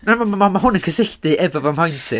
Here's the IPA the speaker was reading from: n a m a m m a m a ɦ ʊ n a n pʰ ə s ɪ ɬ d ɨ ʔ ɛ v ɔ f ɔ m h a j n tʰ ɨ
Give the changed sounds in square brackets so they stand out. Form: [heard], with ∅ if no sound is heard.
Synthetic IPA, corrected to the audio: n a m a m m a m a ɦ ʊ n [ə] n [kʰ] ə s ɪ ɬ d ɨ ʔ ɛ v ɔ [v] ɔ m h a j n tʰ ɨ